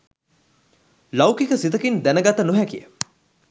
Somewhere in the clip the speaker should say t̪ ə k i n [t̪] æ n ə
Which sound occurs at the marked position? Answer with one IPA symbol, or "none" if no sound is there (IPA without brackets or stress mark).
d̪